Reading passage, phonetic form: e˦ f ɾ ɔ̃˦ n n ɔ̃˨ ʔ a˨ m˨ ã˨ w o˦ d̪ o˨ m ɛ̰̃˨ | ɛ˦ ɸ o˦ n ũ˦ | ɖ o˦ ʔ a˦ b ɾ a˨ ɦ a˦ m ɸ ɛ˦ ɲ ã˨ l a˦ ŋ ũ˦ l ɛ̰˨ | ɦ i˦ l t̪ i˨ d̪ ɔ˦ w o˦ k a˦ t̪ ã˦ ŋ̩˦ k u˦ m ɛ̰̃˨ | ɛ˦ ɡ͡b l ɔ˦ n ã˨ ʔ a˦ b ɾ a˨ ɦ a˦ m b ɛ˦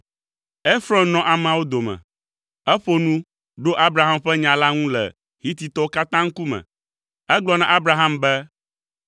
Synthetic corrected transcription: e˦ f ɾ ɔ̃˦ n n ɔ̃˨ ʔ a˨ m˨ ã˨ w o˦ d̪ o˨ m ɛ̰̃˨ | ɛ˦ ɸ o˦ n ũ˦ | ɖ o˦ ʔ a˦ b ɾ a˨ ɦ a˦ m ɸ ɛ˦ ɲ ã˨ l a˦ ŋ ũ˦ l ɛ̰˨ | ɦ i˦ t̪ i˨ t̪ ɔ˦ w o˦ k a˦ t̪ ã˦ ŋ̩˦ k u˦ m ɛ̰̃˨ | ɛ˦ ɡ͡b l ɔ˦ n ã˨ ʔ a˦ b ɾ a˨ ɦ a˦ m b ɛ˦